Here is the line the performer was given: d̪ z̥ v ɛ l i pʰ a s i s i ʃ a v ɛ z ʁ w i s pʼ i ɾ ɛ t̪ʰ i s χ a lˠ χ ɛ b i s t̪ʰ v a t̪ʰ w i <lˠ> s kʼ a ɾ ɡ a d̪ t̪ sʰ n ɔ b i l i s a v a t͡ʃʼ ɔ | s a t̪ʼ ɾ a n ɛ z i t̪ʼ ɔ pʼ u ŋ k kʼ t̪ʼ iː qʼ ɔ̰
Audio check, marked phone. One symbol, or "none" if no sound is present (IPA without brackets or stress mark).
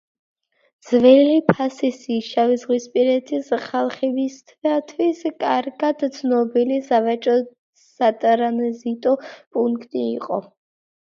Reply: none